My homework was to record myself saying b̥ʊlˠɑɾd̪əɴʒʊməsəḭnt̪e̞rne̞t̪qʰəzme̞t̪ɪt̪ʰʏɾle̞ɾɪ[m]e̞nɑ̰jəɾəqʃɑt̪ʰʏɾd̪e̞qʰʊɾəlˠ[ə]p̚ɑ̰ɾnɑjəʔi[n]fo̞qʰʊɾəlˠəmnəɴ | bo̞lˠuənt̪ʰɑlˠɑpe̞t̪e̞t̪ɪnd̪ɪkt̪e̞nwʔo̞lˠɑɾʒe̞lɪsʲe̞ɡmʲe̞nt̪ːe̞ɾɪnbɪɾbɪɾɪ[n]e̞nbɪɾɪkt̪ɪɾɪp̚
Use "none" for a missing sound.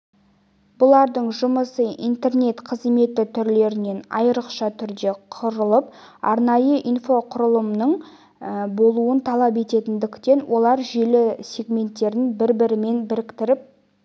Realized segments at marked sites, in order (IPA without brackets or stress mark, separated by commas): n, ə, n, m